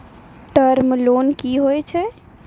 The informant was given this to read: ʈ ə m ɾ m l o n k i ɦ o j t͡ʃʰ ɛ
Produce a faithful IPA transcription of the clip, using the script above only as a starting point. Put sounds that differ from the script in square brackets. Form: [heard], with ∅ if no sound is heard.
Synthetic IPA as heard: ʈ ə [∅] ɾ m l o n k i ɦ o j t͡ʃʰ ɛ

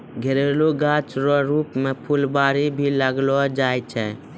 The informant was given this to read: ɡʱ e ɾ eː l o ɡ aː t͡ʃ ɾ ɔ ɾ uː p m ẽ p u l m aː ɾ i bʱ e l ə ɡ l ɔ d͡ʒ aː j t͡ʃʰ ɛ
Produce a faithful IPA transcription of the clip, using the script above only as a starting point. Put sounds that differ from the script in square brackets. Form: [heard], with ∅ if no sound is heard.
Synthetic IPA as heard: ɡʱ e ɾ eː l o ɡ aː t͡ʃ ɾ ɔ ɾ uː p m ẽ [pʰ] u l [b] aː ɾ i bʱ [i] l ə ɡ l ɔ d͡ʒ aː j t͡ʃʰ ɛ

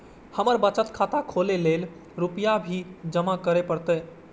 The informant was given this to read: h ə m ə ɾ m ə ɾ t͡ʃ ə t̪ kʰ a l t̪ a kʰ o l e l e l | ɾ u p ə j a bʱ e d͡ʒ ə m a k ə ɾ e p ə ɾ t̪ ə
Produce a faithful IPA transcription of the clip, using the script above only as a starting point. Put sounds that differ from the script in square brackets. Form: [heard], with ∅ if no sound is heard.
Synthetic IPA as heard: h ə m ə ɾ [b] ə [∅] t͡ʃ ə t̪ kʰ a [∅] t̪ a kʰ o l e l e l | ɾ u p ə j a bʱ [i] d͡ʒ ə m a k ə ɾ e p ə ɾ t̪ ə

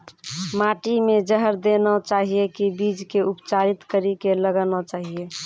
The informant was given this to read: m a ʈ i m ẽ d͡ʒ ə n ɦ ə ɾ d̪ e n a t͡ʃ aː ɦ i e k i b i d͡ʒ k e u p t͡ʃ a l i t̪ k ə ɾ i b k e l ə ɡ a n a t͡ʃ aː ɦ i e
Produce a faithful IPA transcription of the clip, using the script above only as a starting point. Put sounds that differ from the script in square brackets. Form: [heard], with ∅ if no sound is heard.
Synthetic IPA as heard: m a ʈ i m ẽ d͡ʒ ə [∅] ɦ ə ɾ d̪ e n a t͡ʃ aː ɦ i e k i b i d͡ʒ k e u p t͡ʃ a [ɾ] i t̪ k ə ɾ i [∅] k e l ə ɡ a n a t͡ʃ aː ɦ i e

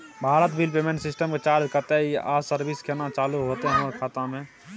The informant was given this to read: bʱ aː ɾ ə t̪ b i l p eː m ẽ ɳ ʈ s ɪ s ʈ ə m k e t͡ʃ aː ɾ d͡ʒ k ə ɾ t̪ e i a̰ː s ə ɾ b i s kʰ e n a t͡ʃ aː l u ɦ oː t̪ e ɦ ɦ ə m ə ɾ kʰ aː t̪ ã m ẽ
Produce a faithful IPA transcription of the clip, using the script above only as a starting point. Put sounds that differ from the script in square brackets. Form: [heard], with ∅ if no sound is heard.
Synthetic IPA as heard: bʱ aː ɾ ə t̪ b i l p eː m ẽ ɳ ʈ s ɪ s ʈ ə m k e t͡ʃ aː ɾ d͡ʒ k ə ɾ t̪ e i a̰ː s ə ɾ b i s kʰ e n a t͡ʃ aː l u ɦ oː t̪ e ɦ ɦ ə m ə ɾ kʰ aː t̪ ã m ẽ

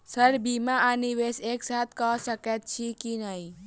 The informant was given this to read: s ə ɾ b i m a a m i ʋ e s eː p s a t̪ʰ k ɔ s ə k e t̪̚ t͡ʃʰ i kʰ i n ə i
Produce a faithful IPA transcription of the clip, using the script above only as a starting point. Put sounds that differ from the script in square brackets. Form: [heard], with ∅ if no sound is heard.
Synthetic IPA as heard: s ə ɾ b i m a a [n] i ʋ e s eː [k] s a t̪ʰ k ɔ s ə k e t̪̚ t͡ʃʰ i [k] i n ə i

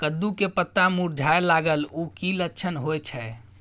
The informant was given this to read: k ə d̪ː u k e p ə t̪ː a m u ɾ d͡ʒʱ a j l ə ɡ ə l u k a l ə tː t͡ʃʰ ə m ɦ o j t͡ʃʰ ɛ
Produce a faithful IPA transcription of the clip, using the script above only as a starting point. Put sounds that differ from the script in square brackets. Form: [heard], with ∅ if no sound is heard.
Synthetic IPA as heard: k ə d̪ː u k e p ə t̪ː a m u ɾ d͡ʒʱ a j l [a] ɡ ə l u k [i] l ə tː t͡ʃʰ ə [n] ɦ o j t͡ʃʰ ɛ

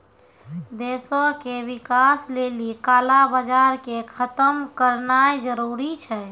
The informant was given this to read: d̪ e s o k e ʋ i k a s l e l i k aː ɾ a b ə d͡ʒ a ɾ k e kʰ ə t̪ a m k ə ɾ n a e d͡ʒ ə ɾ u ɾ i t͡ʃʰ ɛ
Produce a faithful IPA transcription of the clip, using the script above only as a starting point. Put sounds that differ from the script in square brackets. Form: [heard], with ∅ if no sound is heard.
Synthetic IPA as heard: d̪ e s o k e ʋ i k a s l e l i k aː [l] a b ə d͡ʒ a ɾ k e kʰ ə t̪ [ə] m k ə ɾ n a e d͡ʒ ə ɾ u ɾ i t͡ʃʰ ɛ

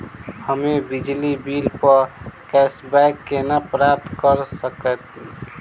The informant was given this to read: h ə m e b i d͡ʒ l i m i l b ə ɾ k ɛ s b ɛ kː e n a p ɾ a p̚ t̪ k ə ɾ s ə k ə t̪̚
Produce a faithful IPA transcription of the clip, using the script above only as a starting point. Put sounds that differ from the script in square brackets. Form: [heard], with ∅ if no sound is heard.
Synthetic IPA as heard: h ə m e b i d͡ʒ l i [b] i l [p] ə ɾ k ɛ s b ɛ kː e n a p ɾ a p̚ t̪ k ə ɾ s ə k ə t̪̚

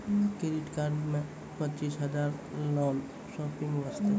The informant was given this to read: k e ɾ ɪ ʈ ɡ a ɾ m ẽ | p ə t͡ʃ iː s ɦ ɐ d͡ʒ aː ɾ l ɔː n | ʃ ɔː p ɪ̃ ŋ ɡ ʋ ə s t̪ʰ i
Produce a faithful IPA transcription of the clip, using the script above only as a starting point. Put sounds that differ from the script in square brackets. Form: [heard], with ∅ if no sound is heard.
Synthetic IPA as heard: k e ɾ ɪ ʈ [k] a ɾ m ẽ | p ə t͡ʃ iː s ɦ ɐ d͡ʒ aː ɾ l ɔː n | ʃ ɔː p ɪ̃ ŋ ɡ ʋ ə s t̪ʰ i

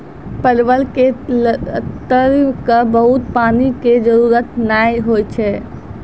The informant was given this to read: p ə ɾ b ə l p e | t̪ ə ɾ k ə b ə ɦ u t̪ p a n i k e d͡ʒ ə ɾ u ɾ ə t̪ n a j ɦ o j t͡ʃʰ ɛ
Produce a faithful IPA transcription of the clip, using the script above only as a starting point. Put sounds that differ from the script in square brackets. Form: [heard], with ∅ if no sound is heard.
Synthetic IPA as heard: p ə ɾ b ə l [k] e | t̪ ə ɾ k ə b ə ɦ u t̪ p a n i k e d͡ʒ ə ɾ u ɾ ə t̪ n a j ɦ o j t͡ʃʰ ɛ

